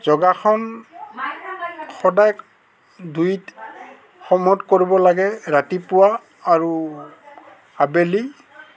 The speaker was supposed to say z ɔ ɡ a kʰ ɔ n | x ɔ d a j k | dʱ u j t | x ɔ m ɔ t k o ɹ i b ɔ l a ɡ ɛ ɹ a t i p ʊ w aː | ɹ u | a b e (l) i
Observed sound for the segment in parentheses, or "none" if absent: l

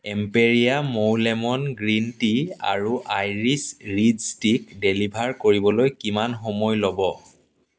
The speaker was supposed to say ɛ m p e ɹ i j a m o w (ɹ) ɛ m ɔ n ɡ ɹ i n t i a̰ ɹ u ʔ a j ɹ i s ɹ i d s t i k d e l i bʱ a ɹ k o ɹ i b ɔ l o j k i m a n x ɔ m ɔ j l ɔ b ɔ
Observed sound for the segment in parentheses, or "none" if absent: l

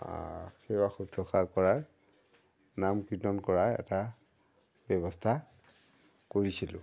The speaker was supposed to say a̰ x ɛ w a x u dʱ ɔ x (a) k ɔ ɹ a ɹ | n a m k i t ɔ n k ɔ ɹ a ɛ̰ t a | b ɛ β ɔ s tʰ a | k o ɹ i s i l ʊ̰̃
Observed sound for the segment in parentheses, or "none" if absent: a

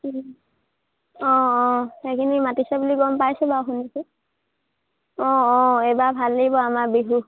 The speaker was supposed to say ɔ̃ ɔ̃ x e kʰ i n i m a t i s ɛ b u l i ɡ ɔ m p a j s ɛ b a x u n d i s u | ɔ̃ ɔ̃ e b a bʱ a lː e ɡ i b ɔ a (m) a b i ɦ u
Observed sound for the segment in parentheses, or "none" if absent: m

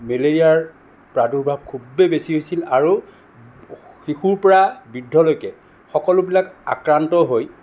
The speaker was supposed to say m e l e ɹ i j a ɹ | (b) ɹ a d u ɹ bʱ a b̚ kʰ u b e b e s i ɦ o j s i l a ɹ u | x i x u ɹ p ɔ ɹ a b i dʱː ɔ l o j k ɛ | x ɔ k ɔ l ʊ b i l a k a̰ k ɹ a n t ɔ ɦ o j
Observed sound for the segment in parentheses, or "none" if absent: p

